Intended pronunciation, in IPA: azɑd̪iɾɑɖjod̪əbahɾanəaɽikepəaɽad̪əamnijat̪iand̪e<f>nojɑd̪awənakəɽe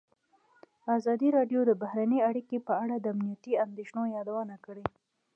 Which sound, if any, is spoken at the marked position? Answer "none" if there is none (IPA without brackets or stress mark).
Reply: ʃ